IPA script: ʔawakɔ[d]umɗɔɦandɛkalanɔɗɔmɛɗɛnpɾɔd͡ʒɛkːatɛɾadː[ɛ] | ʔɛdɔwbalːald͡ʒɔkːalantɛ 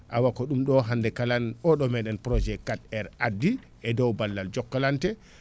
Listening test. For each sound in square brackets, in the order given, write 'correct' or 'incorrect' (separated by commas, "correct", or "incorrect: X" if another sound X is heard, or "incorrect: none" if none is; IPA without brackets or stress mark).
incorrect: ɗ, incorrect: i